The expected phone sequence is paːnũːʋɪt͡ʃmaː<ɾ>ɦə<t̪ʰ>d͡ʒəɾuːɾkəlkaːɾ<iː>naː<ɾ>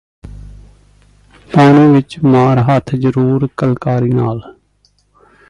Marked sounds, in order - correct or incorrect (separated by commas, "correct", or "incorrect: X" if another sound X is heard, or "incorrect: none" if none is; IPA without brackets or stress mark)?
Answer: correct, correct, correct, incorrect: l